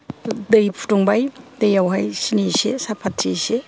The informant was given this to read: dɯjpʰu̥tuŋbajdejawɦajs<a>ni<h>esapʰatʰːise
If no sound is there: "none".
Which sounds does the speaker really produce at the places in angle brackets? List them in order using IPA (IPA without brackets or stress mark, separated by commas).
i, s